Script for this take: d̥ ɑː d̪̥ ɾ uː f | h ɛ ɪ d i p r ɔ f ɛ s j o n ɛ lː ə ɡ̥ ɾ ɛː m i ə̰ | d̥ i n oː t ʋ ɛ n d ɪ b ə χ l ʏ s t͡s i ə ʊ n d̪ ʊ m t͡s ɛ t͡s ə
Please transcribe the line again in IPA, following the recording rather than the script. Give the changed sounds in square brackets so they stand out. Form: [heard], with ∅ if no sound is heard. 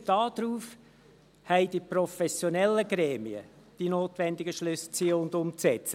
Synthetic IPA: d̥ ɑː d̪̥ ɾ uː f | h ɛ ɪ d i p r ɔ f ɛ s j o n ɛ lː ə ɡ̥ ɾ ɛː m i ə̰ | d̥ i n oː t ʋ ɛ n d ɪ [ɡ] ə [ʃ] l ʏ s t͡s i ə ʊ n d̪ ʊ m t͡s ɛ t͡s ə